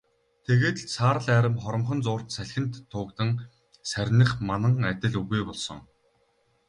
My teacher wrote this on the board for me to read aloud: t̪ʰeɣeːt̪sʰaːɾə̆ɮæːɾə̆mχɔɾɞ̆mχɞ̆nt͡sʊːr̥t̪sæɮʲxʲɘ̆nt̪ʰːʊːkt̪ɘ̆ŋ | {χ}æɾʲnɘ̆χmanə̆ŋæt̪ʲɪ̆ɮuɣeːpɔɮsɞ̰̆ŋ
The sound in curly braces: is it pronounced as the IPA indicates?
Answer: no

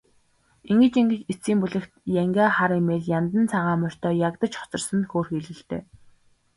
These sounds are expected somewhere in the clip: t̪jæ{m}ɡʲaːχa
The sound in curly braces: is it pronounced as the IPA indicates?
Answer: no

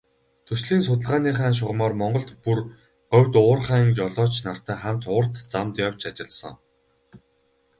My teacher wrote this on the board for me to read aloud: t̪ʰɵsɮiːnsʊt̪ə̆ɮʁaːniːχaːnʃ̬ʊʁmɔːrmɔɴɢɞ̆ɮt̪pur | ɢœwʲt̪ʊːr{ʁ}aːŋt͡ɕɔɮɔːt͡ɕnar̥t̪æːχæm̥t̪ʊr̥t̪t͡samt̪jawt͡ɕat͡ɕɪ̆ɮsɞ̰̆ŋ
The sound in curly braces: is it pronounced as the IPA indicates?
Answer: no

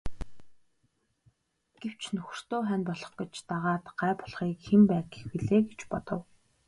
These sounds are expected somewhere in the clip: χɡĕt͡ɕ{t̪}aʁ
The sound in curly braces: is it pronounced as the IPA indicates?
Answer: yes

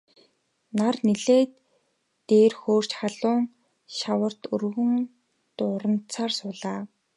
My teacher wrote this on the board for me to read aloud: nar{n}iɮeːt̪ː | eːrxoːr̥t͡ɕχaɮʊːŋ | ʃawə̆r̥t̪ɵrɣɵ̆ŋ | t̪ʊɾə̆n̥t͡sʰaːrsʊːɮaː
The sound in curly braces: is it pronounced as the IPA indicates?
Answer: yes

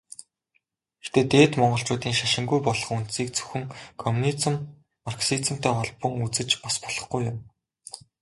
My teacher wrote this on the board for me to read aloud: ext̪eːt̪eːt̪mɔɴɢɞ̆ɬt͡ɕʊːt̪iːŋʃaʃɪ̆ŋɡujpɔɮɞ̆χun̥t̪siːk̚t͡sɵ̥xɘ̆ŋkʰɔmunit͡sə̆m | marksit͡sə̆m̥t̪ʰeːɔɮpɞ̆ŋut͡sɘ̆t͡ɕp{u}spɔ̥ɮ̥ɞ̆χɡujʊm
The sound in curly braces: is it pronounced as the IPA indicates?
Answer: no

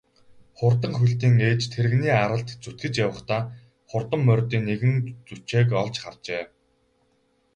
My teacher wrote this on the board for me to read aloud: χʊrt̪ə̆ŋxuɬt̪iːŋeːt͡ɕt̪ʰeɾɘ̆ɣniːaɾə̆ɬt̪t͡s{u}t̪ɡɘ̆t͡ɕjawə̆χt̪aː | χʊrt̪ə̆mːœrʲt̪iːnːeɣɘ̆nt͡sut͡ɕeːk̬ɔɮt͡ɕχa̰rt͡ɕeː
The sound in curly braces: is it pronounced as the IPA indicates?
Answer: yes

